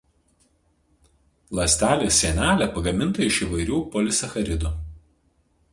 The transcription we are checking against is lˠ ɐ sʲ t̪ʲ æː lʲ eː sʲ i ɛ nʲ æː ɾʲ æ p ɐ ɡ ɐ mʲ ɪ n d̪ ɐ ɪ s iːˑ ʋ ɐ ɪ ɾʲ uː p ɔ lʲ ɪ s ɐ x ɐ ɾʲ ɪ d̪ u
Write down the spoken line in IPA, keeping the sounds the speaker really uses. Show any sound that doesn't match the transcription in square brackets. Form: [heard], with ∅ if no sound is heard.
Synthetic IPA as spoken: lˠ ɐ sʲ t̪ʲ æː lʲ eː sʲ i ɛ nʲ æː [lʲ] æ p ɐ ɡ ɐ mʲ ɪ n [t̪] ɐ ɪ [ʃ] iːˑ ʋ ɐ ɪ ɾʲ uː p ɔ lʲ ɪ s ɐ x ɐ ɾʲ ɪ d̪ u